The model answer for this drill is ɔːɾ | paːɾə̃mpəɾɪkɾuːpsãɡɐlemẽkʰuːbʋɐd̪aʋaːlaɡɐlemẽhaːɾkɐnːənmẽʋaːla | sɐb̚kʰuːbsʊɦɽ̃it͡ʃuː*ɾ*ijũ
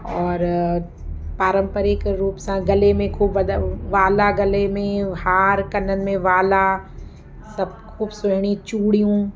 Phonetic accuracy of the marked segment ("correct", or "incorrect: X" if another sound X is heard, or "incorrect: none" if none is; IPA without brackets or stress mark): incorrect: ɽ